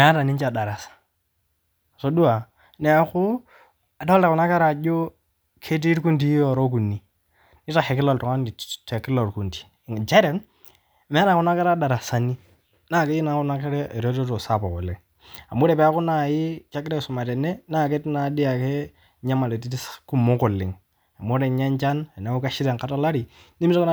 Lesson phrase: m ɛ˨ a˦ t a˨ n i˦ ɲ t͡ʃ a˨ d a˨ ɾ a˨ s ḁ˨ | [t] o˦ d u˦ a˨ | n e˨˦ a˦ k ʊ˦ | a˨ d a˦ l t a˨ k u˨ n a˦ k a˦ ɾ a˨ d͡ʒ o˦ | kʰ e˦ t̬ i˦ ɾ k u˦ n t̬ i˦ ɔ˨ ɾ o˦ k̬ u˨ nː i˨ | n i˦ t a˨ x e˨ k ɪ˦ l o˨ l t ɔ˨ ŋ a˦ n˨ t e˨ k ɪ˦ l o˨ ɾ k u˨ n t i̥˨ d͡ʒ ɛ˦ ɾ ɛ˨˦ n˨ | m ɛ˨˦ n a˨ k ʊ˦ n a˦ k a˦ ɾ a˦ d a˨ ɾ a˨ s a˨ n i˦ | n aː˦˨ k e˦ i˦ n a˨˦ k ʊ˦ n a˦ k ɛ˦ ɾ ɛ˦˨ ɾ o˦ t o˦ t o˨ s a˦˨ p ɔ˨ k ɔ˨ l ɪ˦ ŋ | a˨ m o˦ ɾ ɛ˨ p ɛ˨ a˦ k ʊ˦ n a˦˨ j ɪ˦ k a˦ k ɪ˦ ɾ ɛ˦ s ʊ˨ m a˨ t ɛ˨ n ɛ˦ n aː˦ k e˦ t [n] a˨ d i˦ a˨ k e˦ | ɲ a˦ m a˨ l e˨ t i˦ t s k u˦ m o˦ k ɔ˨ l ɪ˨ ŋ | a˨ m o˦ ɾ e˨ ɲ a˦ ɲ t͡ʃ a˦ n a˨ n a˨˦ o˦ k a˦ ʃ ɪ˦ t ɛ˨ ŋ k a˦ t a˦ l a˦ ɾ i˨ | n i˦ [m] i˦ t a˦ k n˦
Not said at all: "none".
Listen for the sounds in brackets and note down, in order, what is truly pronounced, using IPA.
s, n, m

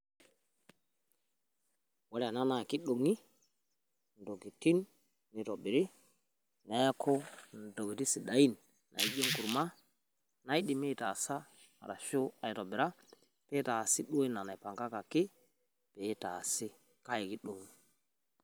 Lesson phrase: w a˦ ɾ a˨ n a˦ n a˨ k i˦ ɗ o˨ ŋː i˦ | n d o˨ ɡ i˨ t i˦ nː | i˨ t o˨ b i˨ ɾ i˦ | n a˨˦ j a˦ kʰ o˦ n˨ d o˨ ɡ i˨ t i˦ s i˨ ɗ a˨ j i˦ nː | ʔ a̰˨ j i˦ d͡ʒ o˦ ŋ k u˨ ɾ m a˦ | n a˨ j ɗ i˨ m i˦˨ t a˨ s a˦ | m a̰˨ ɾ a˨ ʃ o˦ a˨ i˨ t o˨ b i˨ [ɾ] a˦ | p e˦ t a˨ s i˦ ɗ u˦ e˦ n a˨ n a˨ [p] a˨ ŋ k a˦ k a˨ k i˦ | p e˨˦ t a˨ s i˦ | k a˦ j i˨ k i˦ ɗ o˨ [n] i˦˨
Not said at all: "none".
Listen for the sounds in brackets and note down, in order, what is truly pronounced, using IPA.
ɾ, p, ŋ

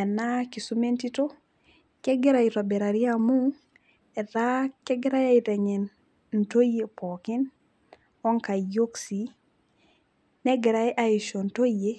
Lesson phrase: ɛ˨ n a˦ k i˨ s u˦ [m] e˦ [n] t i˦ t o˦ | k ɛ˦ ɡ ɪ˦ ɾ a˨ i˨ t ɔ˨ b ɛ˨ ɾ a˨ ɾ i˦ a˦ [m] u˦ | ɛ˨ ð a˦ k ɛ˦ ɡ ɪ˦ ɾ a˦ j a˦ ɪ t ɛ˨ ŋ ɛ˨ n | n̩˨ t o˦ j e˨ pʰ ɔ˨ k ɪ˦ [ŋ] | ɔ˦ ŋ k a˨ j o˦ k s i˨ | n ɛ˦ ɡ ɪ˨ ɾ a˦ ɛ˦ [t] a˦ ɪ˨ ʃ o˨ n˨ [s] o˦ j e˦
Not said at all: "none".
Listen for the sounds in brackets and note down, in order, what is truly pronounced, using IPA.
m, n, m, n, ʔ, t

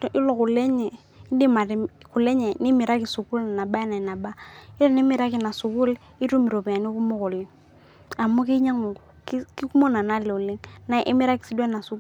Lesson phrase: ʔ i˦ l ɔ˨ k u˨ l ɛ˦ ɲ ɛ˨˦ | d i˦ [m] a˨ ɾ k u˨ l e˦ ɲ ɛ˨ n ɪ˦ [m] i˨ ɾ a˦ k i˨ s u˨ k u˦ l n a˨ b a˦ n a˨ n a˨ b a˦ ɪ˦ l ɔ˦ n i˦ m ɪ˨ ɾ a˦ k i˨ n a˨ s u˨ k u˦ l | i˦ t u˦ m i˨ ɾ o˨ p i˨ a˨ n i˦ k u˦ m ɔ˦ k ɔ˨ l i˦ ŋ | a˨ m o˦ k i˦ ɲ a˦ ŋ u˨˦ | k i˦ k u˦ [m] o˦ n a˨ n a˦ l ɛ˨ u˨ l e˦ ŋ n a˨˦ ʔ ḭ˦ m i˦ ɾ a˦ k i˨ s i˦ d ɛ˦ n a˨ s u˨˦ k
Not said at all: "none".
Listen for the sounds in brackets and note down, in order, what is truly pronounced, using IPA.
m, m, m

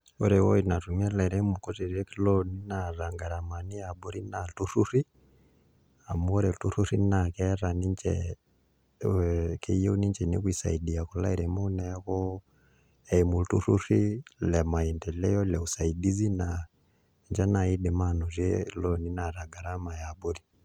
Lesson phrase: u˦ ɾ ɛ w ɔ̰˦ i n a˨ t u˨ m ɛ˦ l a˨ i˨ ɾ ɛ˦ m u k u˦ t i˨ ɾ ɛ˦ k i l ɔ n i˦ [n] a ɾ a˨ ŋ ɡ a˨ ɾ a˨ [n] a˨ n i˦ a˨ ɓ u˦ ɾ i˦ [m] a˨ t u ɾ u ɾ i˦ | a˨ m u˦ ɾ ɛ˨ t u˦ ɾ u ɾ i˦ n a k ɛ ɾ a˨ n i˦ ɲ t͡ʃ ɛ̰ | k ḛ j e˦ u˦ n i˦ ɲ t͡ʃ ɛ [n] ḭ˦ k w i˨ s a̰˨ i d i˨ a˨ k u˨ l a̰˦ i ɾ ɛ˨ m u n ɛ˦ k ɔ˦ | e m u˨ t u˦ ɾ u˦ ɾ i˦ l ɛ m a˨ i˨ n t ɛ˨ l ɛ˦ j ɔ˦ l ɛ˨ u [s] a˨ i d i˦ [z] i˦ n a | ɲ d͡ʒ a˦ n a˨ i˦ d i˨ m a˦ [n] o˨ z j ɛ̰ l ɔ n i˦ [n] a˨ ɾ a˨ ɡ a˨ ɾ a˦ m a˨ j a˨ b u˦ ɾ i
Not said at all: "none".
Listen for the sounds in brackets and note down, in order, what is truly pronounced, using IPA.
n, m, n, n, s, z, n, n

